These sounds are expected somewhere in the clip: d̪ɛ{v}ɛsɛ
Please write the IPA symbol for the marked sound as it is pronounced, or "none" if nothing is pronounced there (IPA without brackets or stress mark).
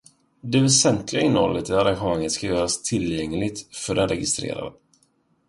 v